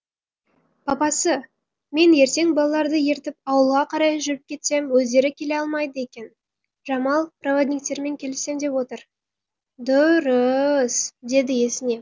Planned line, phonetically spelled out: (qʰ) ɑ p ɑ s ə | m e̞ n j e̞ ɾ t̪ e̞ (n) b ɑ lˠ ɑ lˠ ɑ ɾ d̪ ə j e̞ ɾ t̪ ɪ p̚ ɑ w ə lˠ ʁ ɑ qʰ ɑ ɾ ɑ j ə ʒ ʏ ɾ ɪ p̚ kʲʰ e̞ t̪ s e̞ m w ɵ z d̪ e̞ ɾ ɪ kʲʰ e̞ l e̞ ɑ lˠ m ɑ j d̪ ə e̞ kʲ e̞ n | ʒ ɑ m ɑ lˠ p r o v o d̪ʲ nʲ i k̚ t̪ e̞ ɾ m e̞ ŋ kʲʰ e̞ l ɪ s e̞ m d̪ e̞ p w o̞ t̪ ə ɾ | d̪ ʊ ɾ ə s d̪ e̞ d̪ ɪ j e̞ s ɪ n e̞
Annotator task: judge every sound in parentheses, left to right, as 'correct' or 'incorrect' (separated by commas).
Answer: incorrect, incorrect